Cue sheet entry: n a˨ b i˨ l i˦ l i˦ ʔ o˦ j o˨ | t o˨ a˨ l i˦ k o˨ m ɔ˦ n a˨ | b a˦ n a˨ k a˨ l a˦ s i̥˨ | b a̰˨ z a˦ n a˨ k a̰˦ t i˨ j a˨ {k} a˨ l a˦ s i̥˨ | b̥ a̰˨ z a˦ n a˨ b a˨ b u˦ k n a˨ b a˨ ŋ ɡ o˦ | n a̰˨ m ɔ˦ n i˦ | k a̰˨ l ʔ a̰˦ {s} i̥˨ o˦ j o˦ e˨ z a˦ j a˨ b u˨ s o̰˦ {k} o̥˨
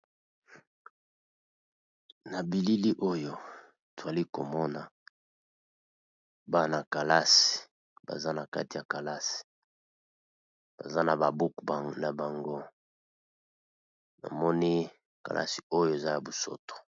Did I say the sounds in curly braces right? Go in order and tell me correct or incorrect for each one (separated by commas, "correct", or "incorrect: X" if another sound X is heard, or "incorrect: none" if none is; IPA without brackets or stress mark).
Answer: correct, correct, incorrect: t